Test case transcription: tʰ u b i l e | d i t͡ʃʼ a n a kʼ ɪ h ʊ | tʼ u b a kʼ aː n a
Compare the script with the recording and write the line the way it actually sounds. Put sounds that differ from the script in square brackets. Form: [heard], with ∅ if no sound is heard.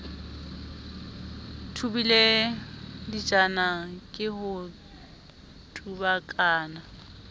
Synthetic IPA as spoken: tʰ u b i l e | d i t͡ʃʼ a n a kʼ ɪ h ʊ | tʼ u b a kʼ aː n a